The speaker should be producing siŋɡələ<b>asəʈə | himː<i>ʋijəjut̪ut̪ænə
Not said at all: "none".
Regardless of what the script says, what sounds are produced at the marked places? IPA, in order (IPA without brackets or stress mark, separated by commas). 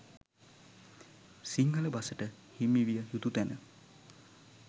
b, i